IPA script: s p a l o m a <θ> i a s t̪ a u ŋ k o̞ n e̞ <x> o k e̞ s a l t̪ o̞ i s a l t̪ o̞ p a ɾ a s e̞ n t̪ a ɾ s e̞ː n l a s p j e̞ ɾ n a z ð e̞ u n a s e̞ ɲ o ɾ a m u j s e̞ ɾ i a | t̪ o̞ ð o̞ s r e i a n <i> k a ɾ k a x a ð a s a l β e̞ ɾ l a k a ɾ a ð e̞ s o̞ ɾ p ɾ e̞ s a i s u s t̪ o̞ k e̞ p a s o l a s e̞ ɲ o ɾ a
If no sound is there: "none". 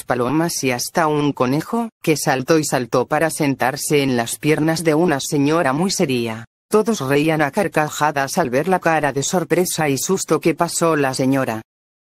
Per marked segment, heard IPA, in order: s, x, a

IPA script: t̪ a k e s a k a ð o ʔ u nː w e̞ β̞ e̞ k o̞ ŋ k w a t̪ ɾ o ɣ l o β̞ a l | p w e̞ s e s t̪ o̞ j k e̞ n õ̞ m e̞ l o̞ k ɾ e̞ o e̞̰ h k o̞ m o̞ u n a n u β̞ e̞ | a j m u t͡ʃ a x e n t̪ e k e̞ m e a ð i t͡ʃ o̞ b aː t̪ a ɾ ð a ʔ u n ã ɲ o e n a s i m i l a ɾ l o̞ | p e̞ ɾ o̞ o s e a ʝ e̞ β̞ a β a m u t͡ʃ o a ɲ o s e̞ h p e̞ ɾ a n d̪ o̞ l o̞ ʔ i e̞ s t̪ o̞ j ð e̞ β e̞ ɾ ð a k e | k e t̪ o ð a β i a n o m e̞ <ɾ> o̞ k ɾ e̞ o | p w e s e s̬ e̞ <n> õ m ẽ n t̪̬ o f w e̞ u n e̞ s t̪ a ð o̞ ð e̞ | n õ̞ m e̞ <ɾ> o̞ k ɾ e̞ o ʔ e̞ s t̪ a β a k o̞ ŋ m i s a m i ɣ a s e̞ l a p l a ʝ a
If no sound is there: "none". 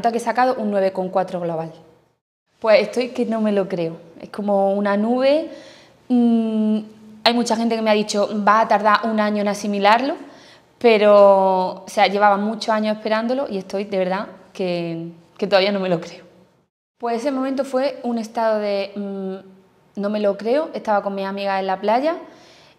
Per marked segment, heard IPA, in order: l, m, l

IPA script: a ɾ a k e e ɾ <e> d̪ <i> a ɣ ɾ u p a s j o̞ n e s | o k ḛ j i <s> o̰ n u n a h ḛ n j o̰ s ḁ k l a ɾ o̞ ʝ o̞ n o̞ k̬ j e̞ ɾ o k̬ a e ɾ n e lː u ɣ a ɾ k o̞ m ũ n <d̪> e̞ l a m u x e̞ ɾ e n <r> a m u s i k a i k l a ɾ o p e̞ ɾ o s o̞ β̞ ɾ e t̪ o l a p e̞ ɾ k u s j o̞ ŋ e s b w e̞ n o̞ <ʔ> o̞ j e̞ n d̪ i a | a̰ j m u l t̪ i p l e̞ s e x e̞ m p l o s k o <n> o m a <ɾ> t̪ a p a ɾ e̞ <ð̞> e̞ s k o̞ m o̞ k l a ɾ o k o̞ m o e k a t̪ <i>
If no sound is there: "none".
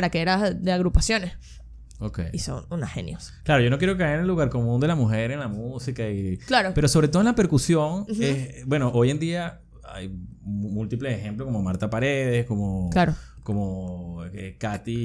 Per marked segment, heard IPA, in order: a, e, s, d̪, l, ʔ, m, ɾ, ð̞, i

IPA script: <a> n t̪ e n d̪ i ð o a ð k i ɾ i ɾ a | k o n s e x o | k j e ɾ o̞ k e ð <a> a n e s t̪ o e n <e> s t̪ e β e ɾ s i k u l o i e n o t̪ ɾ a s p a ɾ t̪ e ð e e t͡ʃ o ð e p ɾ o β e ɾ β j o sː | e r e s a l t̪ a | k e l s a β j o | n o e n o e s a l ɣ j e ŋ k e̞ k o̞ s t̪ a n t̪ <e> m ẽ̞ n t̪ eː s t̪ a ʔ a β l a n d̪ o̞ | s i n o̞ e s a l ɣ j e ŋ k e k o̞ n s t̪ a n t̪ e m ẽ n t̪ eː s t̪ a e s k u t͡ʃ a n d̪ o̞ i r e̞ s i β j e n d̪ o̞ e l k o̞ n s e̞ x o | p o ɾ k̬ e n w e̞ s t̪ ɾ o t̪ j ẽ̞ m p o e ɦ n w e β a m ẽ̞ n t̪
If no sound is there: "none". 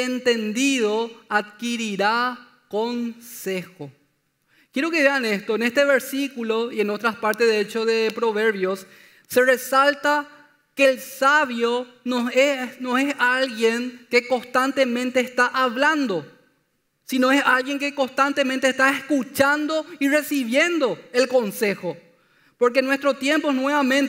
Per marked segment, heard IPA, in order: e, e, e, e

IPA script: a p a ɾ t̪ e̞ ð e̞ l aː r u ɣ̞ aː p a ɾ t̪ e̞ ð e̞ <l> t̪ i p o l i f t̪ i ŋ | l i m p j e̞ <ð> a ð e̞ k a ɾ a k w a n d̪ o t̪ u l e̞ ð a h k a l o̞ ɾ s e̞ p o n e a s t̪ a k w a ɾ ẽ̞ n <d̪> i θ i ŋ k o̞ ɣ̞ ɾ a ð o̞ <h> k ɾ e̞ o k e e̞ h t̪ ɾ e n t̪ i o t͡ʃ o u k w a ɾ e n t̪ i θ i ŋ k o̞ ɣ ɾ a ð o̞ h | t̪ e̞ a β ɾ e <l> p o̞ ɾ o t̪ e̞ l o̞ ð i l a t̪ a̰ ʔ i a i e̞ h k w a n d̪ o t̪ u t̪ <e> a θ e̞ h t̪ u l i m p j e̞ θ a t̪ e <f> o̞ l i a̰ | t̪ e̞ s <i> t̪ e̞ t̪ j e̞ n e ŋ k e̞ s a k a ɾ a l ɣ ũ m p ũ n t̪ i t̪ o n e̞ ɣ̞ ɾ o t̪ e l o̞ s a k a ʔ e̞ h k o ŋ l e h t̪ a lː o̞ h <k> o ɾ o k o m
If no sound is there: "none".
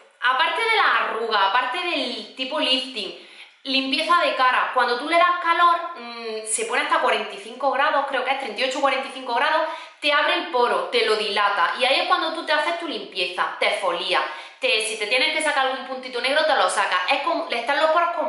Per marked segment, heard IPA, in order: l, θ, t̪, h, l, e, f, i, p

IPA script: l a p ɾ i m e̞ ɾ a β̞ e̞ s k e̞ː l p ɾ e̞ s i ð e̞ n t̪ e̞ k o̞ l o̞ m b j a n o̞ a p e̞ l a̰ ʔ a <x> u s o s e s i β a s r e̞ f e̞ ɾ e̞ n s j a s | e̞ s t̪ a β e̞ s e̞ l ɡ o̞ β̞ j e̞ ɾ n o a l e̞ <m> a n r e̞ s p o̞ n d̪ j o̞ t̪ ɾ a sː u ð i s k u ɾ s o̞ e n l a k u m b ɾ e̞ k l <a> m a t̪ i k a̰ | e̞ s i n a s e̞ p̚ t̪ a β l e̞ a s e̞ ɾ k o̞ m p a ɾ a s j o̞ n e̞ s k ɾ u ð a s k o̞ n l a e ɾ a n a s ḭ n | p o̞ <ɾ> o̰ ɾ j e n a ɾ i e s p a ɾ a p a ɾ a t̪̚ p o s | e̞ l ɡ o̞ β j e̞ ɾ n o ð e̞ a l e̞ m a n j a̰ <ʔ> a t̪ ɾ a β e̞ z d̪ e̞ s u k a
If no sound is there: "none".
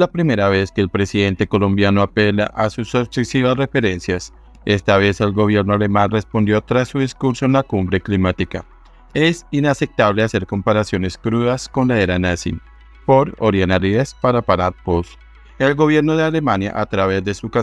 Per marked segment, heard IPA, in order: s, m, i, ɾ, ʔ

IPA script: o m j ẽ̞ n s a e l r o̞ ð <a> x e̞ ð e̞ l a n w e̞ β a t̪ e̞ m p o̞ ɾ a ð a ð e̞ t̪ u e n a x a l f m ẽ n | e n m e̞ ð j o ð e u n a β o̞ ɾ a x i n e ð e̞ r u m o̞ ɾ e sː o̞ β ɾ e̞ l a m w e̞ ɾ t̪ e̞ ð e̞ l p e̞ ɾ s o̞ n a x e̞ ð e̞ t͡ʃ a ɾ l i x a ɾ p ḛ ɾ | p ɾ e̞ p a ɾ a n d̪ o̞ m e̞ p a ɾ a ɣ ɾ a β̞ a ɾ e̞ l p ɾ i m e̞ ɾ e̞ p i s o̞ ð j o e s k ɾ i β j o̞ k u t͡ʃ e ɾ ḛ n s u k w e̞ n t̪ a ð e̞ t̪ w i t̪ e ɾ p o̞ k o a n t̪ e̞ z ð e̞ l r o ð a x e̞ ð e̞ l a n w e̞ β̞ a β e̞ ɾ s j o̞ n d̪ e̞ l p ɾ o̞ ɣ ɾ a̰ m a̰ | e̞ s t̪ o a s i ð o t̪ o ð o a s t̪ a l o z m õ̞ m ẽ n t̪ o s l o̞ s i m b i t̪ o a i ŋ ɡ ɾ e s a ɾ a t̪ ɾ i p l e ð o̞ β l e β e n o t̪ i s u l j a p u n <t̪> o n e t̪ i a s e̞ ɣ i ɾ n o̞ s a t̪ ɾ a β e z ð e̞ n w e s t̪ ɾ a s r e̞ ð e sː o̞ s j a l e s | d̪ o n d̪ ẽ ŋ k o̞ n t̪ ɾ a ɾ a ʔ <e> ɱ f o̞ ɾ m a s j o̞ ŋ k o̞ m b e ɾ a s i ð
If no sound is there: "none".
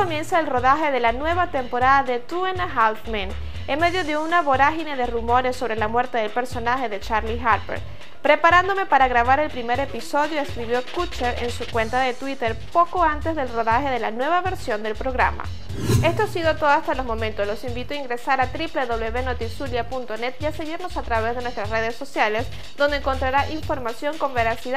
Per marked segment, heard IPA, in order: a, t̪, i

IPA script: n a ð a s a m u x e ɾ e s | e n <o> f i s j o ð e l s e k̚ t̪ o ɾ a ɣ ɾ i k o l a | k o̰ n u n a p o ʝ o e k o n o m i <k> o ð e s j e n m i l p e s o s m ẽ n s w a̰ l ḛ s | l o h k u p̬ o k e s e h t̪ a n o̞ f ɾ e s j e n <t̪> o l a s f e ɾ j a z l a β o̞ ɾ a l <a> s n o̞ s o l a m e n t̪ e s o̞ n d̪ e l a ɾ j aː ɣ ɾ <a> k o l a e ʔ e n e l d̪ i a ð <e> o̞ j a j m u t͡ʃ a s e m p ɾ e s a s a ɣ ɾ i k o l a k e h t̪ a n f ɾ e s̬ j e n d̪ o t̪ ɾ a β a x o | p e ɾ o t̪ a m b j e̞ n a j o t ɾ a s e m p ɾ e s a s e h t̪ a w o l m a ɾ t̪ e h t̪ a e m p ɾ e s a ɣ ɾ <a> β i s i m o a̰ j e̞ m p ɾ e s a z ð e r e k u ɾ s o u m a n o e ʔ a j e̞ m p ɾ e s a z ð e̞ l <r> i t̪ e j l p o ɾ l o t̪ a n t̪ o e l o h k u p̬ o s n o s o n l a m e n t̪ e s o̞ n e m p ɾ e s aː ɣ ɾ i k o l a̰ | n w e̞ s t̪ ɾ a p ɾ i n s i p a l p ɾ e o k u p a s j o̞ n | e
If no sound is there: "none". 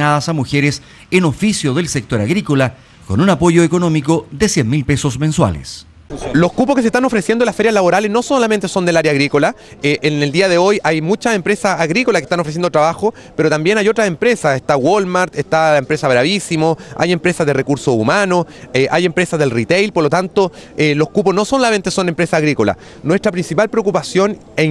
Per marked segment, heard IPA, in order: o, k, d̪, e, i, e, a, r

